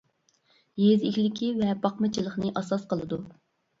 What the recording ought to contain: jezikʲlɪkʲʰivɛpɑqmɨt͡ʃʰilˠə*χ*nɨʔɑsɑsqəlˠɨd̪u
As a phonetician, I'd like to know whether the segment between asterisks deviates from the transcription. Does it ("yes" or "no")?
no